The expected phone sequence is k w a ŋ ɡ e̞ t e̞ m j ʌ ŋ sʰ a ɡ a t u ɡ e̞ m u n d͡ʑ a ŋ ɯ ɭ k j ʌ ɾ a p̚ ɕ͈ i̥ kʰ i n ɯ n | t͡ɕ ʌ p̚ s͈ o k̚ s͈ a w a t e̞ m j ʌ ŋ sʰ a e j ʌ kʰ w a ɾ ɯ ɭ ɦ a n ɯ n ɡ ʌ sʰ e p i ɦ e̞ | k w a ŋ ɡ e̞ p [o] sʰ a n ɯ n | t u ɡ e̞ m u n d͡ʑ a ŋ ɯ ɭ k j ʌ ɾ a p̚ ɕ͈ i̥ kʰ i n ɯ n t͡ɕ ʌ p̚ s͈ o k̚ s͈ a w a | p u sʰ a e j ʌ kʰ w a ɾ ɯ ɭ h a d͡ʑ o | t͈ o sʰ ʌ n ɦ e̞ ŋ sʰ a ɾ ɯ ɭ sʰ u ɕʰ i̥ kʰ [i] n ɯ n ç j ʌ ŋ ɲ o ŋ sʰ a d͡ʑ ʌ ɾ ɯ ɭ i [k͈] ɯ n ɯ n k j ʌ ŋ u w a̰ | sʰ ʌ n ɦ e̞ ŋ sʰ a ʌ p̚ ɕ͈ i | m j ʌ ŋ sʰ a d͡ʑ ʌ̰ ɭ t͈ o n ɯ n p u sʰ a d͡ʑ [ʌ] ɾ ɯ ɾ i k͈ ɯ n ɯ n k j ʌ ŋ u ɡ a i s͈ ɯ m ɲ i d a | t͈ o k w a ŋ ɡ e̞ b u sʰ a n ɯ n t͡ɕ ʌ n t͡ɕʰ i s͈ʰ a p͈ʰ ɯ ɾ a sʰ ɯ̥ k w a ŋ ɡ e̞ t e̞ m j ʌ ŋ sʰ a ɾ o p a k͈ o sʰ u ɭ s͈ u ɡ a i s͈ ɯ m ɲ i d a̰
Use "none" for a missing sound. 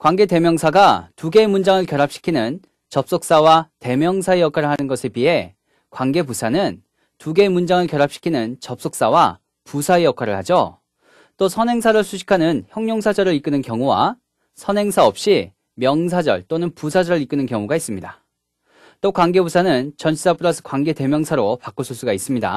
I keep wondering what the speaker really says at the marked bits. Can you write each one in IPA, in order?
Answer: u, a, k͈, ʌ

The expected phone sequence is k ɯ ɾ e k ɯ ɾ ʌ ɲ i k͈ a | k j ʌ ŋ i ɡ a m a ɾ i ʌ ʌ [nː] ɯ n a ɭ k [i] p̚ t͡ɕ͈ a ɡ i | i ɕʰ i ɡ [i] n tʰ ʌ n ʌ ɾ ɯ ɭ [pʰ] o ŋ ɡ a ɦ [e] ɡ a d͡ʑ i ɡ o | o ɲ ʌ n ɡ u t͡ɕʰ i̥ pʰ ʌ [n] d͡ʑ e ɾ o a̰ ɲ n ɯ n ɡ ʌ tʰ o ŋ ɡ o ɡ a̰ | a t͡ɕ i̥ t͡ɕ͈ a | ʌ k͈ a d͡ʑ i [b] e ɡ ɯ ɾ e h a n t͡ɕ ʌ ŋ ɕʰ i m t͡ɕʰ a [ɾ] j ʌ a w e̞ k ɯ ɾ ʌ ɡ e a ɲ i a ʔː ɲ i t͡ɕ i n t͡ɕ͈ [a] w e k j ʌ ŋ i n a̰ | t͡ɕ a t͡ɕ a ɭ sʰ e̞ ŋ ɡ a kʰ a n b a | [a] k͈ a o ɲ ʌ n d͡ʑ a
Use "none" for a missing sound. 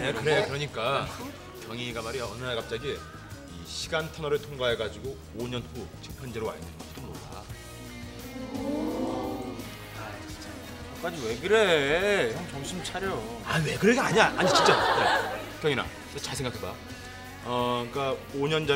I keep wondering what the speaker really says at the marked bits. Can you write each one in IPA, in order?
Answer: n, a, a, tʰ, e, n, w, ɾ, a, ʌ

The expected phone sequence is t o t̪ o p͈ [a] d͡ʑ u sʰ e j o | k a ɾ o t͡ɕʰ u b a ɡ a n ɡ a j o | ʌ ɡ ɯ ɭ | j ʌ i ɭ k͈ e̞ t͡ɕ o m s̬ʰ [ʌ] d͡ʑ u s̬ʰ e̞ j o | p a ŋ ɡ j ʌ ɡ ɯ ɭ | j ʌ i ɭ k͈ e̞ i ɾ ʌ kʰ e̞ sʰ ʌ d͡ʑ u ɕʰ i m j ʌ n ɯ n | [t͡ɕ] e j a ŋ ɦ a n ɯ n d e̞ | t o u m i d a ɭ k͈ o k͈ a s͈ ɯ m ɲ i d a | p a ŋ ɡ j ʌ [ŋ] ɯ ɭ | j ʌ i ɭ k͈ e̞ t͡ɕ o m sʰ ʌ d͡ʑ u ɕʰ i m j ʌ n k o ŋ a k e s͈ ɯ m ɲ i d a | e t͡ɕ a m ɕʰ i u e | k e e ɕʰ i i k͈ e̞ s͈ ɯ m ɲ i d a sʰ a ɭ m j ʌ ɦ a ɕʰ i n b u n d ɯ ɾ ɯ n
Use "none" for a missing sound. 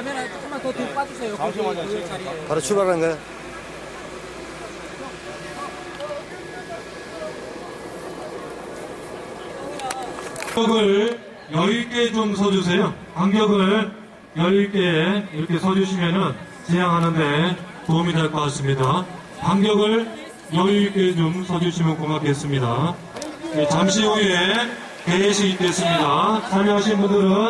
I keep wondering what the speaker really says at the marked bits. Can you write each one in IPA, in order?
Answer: a, ʌ, t͡ɕ, ɡ

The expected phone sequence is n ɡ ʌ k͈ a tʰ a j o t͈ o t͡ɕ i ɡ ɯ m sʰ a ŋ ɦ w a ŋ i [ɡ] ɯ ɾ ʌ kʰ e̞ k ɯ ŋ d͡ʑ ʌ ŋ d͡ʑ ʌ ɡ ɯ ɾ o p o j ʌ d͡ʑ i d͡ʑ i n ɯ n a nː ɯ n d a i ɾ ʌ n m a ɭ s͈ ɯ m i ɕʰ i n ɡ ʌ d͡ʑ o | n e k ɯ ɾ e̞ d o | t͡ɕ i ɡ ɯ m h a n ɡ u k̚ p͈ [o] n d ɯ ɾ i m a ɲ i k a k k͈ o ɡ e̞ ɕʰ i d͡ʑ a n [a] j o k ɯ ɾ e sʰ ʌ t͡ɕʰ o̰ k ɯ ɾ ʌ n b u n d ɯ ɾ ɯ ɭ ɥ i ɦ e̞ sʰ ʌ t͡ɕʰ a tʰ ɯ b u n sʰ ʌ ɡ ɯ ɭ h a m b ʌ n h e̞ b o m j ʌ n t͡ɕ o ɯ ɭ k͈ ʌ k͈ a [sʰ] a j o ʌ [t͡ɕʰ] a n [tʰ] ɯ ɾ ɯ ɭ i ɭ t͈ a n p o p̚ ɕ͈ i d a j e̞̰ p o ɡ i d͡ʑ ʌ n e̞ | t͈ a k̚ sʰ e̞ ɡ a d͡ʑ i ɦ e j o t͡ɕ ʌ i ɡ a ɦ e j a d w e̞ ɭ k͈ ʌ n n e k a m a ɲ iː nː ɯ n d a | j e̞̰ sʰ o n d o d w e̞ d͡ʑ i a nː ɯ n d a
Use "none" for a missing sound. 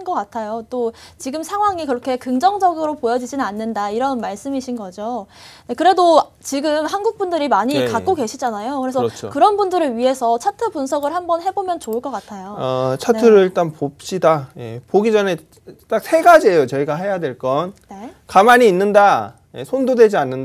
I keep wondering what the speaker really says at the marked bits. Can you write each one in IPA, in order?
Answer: k, u, a, tʰ, t͡ɕʰ, tʰ

